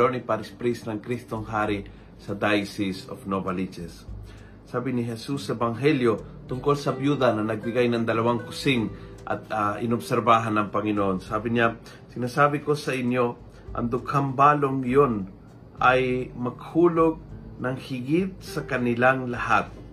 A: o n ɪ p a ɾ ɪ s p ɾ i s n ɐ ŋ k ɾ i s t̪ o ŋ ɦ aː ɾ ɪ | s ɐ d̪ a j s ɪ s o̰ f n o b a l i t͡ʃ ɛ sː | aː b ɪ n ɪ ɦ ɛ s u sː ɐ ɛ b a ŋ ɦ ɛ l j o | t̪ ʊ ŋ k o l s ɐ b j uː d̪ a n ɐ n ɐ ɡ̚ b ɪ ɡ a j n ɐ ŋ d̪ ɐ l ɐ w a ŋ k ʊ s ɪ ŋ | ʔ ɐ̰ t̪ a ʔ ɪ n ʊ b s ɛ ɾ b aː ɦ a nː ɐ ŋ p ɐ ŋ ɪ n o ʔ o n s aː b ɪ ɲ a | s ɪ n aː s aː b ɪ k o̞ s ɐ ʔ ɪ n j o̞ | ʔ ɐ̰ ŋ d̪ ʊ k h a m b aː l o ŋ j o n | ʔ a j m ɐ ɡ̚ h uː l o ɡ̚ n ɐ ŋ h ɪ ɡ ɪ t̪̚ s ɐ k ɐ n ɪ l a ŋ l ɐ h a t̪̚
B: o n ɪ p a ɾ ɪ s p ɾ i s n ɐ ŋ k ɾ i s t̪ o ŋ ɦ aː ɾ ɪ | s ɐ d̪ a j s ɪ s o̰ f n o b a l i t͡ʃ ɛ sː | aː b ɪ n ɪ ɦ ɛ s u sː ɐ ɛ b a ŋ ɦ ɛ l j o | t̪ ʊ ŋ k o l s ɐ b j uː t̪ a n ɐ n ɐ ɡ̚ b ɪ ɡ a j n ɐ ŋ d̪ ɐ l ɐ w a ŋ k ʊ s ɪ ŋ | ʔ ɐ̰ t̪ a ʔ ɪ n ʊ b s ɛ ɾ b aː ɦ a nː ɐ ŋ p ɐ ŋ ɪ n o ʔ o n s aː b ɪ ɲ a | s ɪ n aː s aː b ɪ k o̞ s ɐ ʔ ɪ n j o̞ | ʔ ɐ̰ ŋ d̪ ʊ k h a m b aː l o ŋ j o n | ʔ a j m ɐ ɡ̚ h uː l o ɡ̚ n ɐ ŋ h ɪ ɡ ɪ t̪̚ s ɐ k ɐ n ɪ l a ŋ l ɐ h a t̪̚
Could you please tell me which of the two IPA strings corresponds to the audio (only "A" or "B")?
A